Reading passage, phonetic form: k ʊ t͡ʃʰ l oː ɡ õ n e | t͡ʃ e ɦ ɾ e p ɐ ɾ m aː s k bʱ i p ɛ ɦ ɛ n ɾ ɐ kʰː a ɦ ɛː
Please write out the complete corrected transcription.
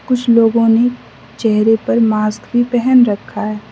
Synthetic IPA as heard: k ʊ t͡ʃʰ l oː ɡ õ n e | t͡ʃ ɛ ɦ ɾ e p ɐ ɾ m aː s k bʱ i p ɛ ɦ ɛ n ɾ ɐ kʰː a ɦ ɛː